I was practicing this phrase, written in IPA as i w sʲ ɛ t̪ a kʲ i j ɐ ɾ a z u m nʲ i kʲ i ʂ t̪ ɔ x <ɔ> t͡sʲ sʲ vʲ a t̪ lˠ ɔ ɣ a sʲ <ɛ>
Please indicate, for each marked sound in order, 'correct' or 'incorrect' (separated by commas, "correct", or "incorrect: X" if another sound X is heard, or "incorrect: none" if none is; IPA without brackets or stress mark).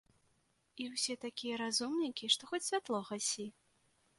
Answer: correct, incorrect: i